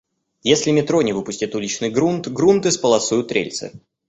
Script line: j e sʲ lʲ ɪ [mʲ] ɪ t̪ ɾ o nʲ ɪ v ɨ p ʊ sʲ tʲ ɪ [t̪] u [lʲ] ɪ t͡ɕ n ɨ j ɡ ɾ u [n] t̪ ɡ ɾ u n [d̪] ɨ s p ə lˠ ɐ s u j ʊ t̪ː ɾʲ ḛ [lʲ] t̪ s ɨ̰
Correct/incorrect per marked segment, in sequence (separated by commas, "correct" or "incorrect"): correct, correct, correct, correct, incorrect, correct